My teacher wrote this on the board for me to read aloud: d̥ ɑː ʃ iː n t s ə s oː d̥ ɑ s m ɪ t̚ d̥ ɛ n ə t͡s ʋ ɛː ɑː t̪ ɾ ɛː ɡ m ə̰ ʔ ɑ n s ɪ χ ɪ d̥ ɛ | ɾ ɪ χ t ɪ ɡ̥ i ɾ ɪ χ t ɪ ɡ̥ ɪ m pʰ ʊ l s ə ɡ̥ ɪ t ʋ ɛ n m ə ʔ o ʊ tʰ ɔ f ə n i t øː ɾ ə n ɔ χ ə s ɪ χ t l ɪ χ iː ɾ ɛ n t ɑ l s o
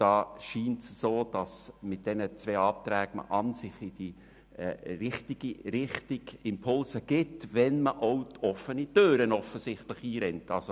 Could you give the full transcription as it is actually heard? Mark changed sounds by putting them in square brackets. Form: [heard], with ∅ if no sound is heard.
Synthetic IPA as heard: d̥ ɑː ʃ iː n t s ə s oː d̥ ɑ s m ɪ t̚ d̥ ɛ n ə t͡s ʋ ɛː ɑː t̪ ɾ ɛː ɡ m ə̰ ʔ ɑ n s ɪ χ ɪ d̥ [i] | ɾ ɪ χ t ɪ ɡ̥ i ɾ ɪ χ t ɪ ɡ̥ ɪ m pʰ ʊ l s ə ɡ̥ ɪ t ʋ ɛ n m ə ʔ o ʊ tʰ ɔ f ə n i t øː ɾ ə n ɔ [f] ə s ɪ χ t l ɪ χ iː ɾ ɛ n t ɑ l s o